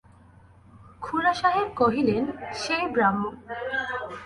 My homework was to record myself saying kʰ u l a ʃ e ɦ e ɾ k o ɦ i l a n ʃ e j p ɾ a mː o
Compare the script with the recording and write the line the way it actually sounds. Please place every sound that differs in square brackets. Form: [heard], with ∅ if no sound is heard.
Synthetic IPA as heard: kʰ u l a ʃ [a] ɦ e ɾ k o ɦ i l [e] n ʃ e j [b] ɾ a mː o